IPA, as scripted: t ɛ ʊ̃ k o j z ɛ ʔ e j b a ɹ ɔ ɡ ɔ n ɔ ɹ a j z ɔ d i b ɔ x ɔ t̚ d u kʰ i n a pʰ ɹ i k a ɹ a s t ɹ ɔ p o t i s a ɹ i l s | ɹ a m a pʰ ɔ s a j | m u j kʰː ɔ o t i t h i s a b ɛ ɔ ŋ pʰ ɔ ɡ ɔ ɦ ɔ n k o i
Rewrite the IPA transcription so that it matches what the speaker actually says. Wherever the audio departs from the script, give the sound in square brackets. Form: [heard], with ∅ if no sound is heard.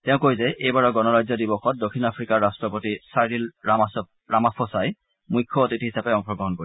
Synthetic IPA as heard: t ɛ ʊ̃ k o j z ɛ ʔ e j b a ɹ ɔ ɡ ɔ n ɔ ɹ a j z ɔ d i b ɔ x ɔ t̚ d [o] kʰ i n a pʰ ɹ i k a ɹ a s t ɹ ɔ p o t i s a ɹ i l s | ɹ a m a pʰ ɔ s a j | m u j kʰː ɔ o t i t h i s a [p] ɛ ɔ ŋ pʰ ɔ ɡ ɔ ɦ ɔ n k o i